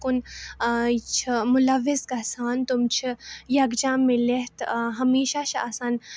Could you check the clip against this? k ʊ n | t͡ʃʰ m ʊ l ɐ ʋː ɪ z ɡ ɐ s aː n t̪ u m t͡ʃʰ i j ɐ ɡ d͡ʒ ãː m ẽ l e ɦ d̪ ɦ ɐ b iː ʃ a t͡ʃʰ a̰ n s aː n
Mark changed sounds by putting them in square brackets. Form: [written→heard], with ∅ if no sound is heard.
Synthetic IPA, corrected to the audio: k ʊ n | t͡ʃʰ m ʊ l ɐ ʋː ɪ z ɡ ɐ s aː n t̪ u m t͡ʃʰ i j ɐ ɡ d͡ʒ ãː m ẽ l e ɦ [d̪→t̪] ɦ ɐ [b→m] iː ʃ a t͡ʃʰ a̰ [n→∅] s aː n